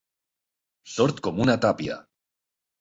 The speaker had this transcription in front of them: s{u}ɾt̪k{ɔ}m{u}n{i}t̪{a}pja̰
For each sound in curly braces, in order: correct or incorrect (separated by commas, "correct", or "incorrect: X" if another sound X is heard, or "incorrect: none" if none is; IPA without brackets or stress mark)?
incorrect: o, incorrect: o, correct, incorrect: a, correct